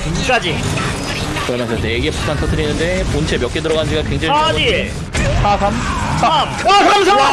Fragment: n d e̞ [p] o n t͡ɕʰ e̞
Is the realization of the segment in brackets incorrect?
no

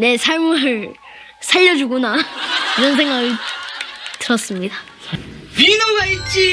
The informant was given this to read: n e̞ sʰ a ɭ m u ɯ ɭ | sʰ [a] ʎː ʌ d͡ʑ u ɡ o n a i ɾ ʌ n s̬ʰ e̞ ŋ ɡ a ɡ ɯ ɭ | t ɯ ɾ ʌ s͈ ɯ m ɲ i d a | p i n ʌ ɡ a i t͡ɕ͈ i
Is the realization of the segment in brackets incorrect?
no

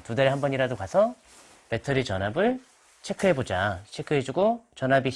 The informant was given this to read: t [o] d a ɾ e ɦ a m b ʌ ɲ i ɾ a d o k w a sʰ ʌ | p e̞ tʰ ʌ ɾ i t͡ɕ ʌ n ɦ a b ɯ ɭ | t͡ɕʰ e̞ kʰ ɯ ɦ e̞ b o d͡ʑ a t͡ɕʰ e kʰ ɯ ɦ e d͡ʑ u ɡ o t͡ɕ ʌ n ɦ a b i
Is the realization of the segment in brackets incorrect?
yes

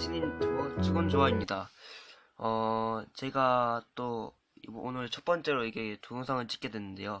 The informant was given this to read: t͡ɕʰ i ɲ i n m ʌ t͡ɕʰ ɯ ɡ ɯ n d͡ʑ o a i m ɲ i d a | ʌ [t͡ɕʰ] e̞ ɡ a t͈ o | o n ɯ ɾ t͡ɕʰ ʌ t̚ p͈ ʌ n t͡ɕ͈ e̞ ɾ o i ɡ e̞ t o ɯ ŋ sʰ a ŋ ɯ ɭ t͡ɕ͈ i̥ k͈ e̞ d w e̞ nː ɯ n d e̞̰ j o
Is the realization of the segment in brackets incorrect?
yes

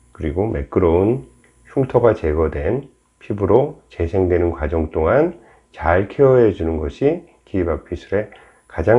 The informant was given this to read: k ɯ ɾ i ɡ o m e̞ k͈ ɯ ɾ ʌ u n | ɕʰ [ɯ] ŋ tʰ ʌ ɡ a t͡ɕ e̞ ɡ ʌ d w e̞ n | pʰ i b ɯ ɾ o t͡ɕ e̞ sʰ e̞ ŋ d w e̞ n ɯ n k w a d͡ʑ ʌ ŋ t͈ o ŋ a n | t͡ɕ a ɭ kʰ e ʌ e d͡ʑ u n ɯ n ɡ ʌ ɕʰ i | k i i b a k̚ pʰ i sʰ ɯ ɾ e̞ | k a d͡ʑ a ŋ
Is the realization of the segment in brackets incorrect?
yes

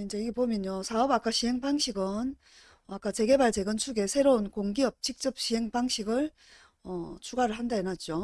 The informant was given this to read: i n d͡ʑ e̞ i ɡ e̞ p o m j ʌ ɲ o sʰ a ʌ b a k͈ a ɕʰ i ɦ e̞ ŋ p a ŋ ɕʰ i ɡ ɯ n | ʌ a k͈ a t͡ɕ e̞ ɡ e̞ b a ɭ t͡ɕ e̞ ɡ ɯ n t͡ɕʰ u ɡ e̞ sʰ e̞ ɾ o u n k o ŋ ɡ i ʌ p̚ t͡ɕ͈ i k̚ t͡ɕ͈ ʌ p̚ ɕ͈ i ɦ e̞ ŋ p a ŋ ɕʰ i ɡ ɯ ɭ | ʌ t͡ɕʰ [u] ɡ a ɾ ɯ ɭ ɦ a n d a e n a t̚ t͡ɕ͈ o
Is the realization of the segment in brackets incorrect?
no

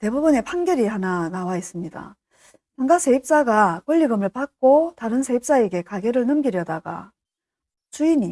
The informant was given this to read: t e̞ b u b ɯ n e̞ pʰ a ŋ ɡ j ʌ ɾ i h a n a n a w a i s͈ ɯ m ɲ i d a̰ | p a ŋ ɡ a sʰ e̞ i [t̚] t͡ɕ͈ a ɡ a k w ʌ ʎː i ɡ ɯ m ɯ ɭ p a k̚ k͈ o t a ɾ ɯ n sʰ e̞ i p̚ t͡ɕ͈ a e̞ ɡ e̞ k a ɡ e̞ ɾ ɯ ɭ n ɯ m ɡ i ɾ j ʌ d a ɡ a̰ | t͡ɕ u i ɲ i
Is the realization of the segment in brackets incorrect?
yes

